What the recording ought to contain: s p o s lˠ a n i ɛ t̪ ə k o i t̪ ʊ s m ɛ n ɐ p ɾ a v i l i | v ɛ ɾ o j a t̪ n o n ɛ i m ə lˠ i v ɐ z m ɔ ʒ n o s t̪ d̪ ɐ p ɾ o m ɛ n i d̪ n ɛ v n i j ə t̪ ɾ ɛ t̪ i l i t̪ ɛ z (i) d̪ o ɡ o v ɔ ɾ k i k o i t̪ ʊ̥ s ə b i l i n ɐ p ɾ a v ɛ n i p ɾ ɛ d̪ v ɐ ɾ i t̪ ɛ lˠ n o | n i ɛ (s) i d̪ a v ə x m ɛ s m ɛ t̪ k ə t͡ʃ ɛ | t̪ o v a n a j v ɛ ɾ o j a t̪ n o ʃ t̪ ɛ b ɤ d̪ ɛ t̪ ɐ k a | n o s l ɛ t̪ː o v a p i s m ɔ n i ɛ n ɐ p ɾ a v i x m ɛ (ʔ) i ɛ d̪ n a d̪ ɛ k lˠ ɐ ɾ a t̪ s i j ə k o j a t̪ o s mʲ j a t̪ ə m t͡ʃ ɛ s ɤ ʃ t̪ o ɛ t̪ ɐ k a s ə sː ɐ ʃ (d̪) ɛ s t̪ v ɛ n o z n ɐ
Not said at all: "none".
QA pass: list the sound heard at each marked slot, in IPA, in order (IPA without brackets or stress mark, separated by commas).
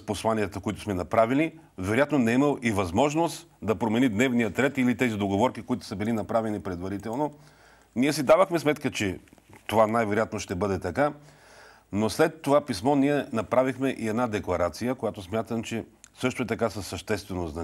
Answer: i, s, ʔ, t̪